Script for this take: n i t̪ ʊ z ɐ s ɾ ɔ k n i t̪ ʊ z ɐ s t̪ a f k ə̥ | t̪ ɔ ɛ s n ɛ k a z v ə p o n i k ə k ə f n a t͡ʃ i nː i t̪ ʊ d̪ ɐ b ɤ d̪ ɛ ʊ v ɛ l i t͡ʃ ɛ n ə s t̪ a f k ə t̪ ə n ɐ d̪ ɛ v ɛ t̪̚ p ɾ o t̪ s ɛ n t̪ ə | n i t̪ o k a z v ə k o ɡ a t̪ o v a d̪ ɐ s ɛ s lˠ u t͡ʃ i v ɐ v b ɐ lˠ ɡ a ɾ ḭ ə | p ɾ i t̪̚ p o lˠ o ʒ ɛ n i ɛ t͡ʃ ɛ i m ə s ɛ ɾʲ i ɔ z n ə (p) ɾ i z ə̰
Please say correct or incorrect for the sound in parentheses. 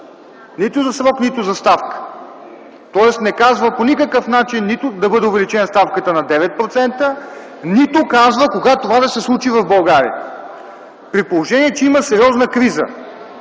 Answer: incorrect: k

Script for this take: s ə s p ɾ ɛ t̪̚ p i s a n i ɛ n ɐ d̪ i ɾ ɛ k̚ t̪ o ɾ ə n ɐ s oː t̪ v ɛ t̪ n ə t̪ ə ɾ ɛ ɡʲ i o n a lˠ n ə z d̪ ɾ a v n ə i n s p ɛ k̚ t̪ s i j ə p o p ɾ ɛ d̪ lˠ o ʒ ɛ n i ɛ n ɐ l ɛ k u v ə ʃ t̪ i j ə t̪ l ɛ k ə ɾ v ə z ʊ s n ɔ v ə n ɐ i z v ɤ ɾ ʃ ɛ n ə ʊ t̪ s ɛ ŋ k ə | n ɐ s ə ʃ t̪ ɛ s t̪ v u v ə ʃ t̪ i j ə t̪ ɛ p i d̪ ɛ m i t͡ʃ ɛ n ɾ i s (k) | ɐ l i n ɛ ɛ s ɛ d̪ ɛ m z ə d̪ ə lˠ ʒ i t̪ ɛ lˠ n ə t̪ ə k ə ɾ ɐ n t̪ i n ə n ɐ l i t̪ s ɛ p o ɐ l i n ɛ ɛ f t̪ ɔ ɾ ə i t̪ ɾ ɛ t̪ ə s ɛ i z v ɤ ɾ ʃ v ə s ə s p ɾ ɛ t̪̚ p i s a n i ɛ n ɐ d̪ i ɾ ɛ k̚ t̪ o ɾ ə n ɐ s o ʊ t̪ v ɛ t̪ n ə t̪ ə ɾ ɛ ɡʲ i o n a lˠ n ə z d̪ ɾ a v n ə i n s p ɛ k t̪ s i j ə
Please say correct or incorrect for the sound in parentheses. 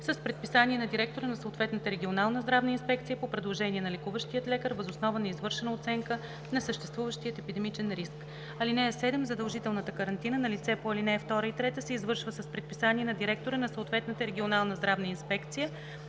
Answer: correct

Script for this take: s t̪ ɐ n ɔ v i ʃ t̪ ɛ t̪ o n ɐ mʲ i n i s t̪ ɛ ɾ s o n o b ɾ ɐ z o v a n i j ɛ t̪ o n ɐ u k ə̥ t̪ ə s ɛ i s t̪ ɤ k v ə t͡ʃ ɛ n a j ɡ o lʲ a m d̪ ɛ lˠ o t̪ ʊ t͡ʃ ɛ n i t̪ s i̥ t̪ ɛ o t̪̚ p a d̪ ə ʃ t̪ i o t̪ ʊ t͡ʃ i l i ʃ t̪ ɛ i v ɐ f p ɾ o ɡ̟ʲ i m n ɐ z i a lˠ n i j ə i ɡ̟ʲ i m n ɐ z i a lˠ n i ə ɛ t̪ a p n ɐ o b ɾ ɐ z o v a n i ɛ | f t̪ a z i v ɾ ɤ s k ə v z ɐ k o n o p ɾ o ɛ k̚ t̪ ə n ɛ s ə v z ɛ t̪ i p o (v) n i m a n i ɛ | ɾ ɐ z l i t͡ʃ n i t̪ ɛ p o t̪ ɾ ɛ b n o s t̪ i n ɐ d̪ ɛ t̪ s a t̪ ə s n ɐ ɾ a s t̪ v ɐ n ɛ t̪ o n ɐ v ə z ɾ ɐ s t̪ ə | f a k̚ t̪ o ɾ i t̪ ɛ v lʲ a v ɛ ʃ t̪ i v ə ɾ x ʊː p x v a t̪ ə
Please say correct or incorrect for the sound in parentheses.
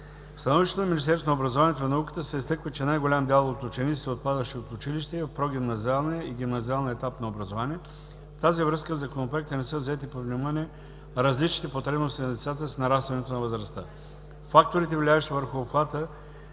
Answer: correct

